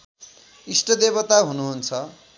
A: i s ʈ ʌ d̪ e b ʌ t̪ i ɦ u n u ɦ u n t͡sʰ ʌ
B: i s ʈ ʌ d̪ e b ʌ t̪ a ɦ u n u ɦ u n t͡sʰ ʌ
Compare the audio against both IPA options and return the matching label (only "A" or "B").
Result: B